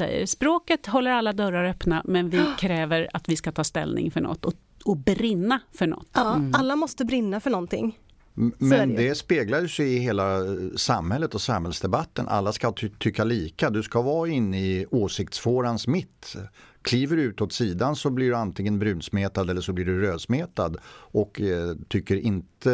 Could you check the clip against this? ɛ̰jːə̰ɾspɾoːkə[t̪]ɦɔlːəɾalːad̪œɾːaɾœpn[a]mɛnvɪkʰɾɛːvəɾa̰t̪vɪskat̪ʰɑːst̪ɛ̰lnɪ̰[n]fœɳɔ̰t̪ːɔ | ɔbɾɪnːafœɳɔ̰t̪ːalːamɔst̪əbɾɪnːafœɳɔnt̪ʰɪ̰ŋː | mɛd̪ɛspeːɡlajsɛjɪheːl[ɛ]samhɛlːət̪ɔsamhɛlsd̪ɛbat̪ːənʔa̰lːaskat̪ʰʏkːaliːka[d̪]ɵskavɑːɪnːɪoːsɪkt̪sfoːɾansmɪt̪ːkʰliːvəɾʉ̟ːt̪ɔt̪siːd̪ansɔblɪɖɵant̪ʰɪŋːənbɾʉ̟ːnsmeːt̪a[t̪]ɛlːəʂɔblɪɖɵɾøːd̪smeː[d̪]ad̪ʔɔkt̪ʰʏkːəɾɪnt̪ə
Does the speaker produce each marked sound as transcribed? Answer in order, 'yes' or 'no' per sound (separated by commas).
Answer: yes, yes, no, no, yes, no, no